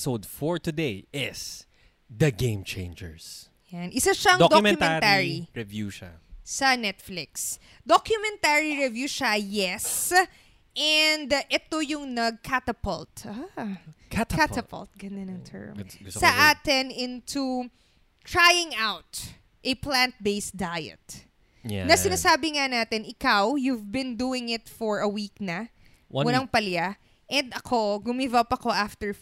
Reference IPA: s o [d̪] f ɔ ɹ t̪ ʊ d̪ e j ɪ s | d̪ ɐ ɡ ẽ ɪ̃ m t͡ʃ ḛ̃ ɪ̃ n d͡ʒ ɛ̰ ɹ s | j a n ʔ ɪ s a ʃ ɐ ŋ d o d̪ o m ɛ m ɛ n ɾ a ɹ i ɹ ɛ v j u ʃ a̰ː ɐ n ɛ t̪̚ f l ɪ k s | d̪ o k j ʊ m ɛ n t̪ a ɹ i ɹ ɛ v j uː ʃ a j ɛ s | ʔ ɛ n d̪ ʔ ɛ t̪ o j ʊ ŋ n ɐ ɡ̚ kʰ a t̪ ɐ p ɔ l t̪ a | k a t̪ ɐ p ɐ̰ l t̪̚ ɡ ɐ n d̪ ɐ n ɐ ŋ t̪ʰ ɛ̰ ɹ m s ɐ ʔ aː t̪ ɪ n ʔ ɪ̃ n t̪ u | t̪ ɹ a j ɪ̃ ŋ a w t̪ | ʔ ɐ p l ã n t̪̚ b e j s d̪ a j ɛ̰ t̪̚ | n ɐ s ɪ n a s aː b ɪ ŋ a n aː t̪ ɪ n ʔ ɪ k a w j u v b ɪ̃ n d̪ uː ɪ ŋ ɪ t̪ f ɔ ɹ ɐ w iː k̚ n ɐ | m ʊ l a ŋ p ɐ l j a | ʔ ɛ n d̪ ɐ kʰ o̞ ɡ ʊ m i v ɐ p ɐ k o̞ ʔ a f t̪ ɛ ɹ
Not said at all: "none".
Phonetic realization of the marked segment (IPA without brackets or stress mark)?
d̪